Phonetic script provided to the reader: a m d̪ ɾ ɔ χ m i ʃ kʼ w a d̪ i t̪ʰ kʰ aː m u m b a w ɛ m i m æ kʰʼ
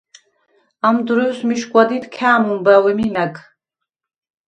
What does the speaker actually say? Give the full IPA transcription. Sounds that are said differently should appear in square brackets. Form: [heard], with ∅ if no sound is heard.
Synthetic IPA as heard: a m d̪ ɾ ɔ [s] m i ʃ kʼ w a d̪ i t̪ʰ kʰ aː m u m b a w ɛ m i m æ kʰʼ